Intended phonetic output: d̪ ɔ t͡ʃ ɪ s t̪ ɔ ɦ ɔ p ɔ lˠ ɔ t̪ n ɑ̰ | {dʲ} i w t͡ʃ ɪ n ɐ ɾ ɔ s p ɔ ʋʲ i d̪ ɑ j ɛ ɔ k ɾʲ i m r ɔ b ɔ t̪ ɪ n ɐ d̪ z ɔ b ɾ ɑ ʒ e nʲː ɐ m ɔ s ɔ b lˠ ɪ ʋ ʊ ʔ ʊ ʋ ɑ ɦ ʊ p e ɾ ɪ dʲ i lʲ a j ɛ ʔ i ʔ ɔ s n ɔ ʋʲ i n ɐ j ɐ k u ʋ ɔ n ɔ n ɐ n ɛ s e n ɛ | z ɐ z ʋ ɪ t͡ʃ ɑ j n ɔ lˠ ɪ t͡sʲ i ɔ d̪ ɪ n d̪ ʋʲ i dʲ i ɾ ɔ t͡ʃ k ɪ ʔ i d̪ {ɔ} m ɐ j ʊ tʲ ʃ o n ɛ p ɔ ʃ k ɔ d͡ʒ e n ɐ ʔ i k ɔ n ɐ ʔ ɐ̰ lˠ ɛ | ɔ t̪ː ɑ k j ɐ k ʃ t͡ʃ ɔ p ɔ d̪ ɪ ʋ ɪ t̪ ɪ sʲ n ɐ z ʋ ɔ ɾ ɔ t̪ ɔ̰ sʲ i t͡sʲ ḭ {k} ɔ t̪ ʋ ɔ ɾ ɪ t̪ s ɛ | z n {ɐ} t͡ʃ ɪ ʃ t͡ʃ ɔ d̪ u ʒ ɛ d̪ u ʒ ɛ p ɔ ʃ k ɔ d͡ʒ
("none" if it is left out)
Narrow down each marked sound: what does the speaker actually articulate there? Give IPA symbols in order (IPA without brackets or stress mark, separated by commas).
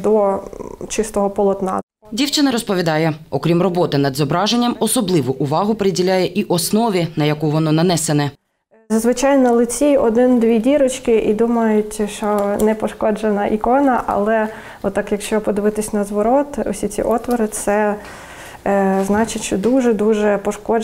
dʲ, u, ʔ, ɑ